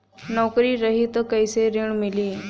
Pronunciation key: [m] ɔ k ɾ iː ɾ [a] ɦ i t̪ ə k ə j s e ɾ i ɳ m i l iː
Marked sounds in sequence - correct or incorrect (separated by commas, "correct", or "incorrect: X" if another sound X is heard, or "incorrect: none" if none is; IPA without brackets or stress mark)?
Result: incorrect: n, incorrect: ə